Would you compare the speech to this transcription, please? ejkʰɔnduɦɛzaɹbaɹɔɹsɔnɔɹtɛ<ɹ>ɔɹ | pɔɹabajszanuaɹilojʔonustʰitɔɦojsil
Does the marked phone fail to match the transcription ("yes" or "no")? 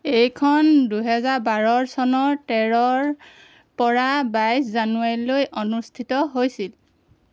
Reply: no